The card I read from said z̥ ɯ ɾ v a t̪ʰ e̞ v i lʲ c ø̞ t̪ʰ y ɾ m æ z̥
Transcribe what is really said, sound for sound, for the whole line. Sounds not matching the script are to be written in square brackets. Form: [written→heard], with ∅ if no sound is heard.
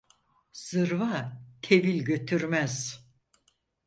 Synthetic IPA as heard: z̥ ɯ ɾ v a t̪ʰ e̞ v i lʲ [c→ɟ] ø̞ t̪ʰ y ɾ m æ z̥